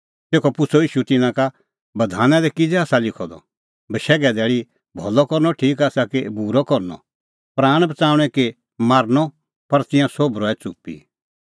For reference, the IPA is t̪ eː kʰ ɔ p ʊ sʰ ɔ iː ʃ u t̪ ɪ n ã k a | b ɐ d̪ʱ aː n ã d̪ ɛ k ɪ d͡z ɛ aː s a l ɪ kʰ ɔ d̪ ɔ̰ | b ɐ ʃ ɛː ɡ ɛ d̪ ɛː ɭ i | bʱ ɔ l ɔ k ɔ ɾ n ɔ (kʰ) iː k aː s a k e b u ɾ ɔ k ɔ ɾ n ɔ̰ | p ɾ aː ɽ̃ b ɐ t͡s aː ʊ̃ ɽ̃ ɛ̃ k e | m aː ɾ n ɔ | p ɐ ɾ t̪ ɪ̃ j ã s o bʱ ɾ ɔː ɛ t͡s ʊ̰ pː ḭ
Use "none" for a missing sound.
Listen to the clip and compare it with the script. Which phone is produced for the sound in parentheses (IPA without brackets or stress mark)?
ʈʰ